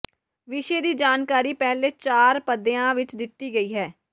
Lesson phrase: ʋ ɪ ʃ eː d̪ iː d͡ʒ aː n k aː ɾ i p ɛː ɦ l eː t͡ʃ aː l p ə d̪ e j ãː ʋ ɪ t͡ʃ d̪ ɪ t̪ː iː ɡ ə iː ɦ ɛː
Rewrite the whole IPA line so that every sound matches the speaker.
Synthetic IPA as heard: ʋ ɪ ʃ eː d̪ iː d͡ʒ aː n k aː ɾ iː p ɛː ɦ l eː t͡ʃ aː ɾ p ə d̪ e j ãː ʋ ɪ t͡ʃ d̪ ɪ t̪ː iː ɡ ə iː ɦ ɛː

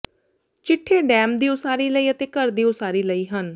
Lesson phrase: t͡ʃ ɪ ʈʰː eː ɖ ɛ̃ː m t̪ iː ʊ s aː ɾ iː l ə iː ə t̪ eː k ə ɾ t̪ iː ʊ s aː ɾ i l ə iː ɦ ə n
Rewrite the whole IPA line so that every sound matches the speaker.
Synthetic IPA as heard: t͡ʃ ɪ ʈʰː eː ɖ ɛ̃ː m d̪ iː ʊ s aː ɾ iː l ə iː ə t̪ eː k ə ɾ d̪ iː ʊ s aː ɾ iː l ə iː ɦ ə n

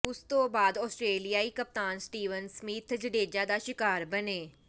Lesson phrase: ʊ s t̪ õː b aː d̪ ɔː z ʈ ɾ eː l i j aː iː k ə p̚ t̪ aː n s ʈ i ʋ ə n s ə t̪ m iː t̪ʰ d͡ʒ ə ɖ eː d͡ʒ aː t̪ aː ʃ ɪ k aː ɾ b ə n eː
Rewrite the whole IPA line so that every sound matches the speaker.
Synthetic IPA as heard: ʊ s t̪ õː b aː d̪ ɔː s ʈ ɾ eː l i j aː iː k ə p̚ t̪ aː n s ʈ iː ʋ ə n s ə m iː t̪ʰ d͡ʒ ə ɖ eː d͡ʒ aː d̪ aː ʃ ɪ k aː ɾ b ə n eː

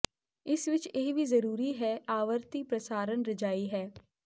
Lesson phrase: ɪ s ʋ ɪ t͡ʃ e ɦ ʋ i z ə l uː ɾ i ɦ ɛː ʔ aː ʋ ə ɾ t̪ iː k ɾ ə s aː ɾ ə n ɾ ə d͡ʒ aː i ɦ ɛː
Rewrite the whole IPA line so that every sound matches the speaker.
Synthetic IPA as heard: ɪ s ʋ ɪ t͡ʃ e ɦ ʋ i z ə ɾ uː ɾ i ɦ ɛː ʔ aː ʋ ə ɾ t̪ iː p ɾ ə s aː ɾ ə n ɾ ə d͡ʒ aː i ɦ ɛː

